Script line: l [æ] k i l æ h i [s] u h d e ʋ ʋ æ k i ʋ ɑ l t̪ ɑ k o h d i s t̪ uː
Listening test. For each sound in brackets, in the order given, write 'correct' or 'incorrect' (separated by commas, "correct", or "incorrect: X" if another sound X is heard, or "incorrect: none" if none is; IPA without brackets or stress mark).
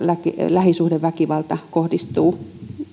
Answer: correct, correct